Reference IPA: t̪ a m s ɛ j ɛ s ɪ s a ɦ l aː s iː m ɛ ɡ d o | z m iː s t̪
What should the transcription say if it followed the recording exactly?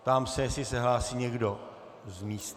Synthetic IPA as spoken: t̪ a m s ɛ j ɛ s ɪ s ɛ ɦ l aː s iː ɲ ɛ ɡ d o | z m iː s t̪